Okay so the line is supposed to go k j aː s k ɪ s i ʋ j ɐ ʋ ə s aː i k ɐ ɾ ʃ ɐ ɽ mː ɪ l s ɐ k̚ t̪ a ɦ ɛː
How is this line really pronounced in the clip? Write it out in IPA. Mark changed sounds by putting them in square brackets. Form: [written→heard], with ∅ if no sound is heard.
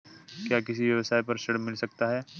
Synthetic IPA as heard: k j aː [s→∅] k ɪ s i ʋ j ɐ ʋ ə s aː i [k→p] ɐ ɾ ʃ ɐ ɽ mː ɪ l s ɐ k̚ t̪ a ɦ ɛː